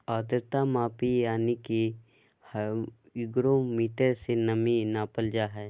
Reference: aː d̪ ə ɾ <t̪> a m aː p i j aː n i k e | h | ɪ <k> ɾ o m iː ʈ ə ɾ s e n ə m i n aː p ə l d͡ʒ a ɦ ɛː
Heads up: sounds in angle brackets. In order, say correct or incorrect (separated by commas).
correct, incorrect